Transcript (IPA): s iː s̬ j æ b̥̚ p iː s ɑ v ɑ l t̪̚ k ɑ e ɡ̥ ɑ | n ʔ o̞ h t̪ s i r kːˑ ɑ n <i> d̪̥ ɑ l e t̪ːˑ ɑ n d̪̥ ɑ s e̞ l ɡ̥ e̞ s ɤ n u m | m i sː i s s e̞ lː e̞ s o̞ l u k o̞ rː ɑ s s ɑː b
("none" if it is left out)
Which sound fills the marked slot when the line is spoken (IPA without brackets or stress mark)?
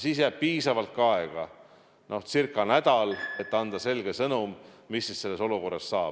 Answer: æ